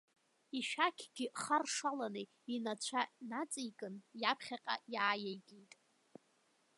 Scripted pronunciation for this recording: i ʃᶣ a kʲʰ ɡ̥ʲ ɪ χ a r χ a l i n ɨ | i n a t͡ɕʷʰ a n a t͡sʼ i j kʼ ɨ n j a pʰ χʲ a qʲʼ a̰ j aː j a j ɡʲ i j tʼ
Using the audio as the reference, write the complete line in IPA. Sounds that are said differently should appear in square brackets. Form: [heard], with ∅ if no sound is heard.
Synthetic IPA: i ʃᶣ a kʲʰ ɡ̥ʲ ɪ χ a r [ʂ] a l [a] n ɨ | i n a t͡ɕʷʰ a n a t͡sʼ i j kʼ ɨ n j a pʰ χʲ a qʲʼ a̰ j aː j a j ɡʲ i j tʼ